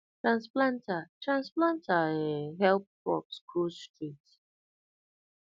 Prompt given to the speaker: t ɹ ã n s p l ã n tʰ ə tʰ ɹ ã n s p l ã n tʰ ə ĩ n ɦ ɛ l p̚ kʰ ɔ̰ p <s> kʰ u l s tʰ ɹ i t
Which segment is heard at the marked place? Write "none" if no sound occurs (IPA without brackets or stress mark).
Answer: s